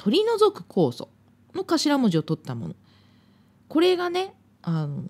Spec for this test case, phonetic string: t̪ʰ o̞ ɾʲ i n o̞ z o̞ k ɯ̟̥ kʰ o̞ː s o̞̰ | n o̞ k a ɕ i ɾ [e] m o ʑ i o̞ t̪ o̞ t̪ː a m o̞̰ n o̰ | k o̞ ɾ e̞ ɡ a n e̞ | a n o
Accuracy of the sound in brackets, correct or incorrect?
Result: incorrect: a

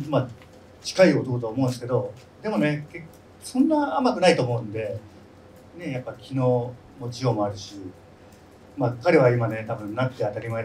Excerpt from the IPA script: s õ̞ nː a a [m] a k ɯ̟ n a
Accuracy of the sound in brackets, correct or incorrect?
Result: correct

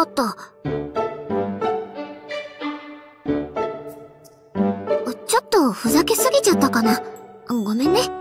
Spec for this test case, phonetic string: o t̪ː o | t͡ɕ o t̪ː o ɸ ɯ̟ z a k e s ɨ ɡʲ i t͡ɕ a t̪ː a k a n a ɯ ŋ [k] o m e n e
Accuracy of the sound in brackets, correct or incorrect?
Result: incorrect: ɡ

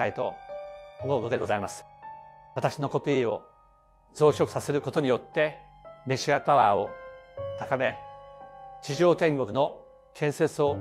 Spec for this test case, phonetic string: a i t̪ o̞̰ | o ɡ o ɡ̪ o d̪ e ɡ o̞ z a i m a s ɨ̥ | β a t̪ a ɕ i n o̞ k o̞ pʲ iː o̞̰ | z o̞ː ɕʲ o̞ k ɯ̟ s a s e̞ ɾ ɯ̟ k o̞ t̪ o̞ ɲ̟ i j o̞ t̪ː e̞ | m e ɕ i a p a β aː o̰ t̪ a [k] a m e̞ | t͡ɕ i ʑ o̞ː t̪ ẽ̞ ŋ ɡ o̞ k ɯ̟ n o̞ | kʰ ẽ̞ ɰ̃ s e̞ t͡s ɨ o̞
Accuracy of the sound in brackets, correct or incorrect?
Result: correct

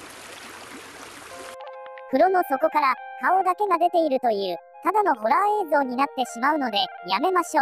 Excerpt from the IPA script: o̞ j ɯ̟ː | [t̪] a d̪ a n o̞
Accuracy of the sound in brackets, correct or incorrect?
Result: correct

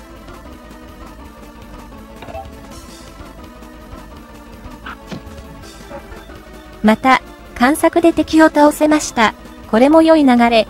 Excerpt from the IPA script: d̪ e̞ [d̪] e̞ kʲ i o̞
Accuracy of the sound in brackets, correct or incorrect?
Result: incorrect: t̪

